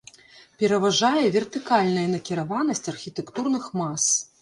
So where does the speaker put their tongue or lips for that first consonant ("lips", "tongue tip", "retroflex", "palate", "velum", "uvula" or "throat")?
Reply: lips